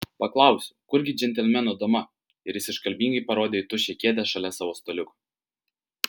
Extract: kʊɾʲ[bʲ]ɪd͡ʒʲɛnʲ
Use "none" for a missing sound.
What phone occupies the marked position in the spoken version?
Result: ɡʲ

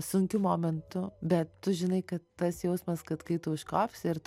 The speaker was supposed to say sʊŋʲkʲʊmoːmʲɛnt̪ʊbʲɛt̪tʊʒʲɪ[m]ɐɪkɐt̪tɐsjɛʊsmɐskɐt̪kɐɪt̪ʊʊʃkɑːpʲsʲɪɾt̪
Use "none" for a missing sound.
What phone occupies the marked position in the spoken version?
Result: n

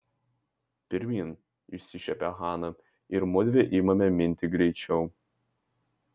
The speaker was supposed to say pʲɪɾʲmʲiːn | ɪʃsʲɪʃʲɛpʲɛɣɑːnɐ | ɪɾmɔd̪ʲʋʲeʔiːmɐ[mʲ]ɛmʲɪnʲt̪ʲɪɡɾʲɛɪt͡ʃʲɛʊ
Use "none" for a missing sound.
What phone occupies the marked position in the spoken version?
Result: mʲ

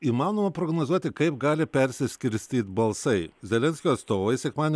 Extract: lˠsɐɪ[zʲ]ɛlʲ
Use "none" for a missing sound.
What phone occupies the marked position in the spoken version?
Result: zʲ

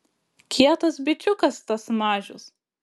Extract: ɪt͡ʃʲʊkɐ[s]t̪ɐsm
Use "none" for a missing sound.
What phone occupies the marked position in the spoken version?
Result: s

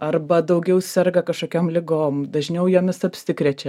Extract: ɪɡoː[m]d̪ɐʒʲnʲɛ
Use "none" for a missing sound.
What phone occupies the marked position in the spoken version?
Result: m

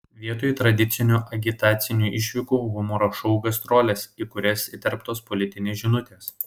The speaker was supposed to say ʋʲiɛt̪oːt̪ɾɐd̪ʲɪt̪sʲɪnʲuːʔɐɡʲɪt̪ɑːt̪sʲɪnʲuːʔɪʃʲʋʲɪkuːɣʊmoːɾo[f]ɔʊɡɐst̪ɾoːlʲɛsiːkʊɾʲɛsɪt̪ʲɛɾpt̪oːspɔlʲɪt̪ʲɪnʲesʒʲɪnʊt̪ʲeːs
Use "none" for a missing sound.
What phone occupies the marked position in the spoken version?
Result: ʃ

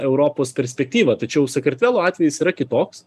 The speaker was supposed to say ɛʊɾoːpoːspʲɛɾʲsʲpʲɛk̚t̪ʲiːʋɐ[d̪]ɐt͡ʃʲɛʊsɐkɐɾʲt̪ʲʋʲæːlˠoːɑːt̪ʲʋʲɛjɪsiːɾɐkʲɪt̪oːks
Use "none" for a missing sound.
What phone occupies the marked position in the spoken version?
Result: t̪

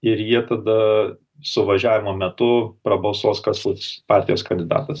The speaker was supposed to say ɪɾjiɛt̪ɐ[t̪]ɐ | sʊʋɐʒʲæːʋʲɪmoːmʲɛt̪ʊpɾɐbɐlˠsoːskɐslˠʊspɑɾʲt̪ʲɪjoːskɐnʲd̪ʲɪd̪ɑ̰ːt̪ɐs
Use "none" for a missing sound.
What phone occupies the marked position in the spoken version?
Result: d̪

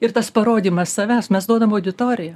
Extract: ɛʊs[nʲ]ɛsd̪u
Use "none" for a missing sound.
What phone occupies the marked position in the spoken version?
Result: mʲ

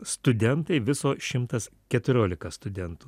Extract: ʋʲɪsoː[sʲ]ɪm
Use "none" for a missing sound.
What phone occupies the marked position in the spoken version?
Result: ʃʲ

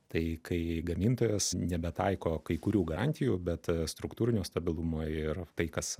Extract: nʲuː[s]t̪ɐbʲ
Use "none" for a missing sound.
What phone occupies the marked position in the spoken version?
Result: s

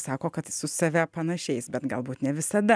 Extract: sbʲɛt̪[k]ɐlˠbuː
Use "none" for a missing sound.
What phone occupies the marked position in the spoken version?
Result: ɡ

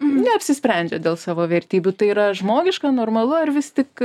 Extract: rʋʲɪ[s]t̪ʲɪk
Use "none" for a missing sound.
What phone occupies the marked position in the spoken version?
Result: s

